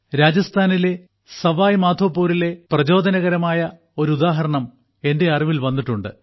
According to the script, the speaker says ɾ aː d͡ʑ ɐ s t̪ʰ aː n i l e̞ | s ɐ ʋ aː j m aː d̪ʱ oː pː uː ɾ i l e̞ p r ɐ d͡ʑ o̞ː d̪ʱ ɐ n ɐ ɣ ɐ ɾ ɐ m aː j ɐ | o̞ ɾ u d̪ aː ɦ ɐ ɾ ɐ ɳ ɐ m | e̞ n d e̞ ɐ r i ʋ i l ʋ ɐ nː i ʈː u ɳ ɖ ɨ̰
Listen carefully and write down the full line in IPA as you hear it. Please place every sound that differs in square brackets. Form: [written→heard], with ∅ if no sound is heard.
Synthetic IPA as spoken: ɾ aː d͡ʑ ɐ s t̪ʰ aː n i l e̞ | s ɐ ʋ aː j m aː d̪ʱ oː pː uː ɾ i l e̞ p r ɐ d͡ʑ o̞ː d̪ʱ ɐ n ɐ ɣ ɐ ɾ ɐ m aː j ɐ | o̞ ɾ u d̪ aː ɦ ɐ ɾ ɐ ɳ ɐ m | e̞ n d e̞ ɐ r i ʋ i l ʋ ɐ nː i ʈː u ɳ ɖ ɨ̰